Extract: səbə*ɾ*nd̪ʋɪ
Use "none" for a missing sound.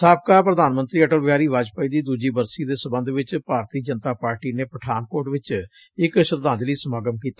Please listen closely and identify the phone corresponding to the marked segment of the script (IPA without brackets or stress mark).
none